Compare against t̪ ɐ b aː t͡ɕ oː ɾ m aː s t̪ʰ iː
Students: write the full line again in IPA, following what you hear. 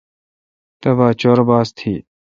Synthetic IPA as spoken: t̪ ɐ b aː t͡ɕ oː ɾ b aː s t̪ʰ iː